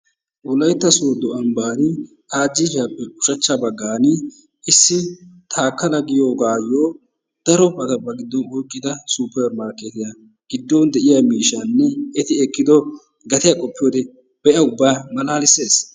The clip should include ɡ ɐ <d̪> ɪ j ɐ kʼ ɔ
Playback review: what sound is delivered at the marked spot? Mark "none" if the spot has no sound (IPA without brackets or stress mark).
t̪